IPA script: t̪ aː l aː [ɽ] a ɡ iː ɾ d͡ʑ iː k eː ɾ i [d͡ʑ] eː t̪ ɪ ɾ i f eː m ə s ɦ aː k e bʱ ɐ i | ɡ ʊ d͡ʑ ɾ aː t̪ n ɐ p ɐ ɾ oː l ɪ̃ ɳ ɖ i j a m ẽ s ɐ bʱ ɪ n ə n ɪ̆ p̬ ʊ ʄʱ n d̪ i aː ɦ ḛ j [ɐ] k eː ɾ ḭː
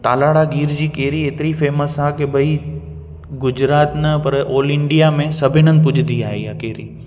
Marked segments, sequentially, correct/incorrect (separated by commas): correct, incorrect, incorrect